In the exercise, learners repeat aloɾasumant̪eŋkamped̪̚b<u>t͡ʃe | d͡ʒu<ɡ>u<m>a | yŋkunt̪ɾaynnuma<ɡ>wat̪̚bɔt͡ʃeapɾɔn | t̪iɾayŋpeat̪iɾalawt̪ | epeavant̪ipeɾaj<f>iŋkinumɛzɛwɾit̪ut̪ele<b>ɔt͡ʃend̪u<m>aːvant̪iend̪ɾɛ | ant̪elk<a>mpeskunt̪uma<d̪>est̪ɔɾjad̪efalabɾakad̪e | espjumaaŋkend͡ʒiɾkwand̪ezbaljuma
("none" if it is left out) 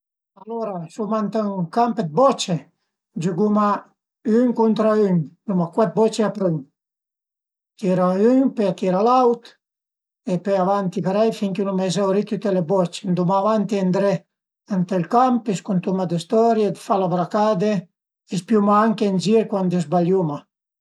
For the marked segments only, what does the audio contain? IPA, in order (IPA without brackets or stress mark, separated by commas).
ɔ, ɡ, m, k, f, b, m, a, d̪